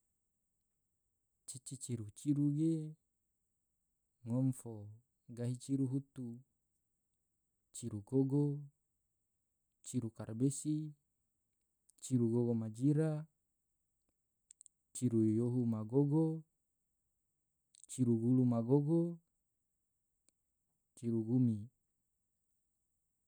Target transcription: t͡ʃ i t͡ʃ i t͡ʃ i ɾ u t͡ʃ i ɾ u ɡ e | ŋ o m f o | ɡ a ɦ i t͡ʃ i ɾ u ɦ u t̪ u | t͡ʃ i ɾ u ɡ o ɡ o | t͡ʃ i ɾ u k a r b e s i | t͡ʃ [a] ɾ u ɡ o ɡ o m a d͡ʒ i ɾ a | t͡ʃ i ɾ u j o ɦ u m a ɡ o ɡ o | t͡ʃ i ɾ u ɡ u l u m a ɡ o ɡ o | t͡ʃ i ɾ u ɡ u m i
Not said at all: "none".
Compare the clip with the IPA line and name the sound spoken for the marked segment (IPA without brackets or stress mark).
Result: i